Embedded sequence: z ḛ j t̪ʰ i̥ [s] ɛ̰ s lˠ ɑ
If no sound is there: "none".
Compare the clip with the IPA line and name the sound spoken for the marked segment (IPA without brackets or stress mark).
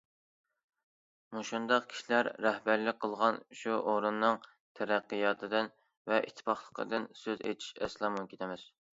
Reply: ʃ